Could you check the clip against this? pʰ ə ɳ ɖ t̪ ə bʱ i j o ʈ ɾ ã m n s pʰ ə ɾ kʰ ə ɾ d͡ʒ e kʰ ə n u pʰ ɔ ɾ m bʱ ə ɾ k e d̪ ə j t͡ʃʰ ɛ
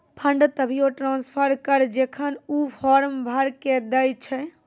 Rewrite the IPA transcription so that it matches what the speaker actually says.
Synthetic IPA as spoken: pʰ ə ɳ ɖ t̪ ə bʱ i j o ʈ ɾ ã n s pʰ ə ɾ k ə ɾ d͡ʒ e kʰ ə n u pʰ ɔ ɾ m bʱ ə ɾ k e d̪ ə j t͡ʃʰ ɛ